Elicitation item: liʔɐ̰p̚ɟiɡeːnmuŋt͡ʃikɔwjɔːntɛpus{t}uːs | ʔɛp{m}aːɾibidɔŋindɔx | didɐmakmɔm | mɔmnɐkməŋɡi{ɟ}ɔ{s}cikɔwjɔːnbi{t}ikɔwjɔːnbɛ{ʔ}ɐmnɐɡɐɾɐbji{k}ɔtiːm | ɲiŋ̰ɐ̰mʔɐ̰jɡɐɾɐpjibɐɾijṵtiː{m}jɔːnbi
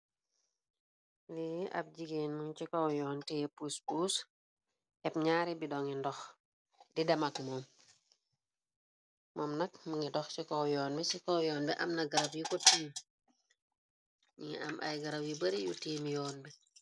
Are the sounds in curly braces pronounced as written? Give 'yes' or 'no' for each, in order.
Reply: no, no, no, no, no, yes, yes, yes

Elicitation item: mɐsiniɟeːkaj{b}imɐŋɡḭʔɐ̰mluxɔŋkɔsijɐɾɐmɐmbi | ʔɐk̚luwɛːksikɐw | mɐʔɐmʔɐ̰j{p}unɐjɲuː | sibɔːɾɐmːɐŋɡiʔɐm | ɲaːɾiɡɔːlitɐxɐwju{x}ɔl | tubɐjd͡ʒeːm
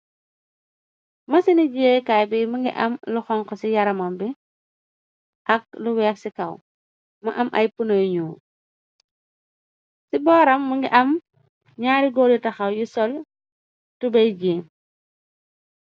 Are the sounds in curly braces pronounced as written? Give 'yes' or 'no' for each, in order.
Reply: yes, yes, no

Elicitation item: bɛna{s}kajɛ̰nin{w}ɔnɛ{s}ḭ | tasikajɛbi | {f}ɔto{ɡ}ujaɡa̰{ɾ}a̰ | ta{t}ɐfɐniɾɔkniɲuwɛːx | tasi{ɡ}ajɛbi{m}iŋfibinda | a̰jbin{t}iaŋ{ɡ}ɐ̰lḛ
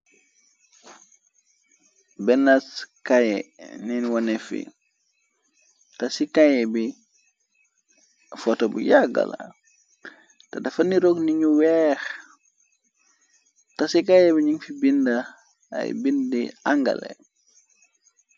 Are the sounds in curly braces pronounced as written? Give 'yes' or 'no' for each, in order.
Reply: yes, yes, no, yes, no, no, no, no, no, no, yes

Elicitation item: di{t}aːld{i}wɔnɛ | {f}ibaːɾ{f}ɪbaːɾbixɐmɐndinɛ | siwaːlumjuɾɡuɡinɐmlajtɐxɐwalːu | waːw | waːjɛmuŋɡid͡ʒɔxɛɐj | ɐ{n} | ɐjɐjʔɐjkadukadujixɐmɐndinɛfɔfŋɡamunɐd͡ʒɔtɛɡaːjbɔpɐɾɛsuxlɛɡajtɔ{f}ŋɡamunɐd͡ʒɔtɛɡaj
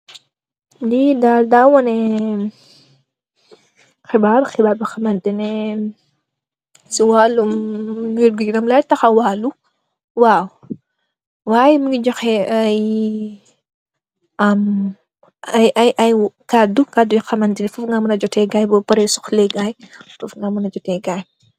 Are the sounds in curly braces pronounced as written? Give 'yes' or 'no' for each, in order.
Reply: no, no, no, no, no, yes

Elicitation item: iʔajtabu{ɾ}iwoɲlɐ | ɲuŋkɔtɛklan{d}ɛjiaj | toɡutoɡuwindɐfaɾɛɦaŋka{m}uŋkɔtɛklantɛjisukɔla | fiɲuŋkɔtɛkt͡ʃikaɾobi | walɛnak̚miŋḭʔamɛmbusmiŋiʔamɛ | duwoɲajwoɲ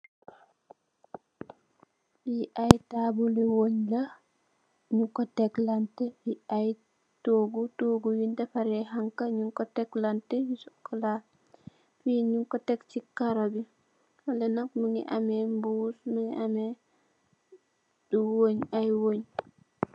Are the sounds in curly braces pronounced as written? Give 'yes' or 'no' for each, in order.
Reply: no, no, no

